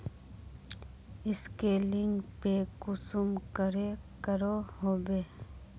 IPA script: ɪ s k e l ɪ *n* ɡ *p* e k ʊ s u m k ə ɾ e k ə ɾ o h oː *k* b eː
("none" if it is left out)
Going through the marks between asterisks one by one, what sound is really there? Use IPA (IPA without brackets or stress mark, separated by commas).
ŋ, p, none